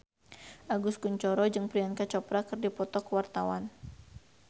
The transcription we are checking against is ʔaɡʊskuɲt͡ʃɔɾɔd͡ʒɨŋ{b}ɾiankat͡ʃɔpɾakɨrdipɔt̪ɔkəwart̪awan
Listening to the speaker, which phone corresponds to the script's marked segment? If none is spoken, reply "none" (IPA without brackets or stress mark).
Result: p